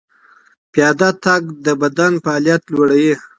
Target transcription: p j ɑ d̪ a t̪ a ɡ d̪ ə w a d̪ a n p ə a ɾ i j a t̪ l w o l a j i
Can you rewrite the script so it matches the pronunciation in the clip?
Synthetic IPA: p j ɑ d̪ a t̪ a ɡ d̪ ə b a d̪ a n p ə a l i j a t̪ l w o ɽ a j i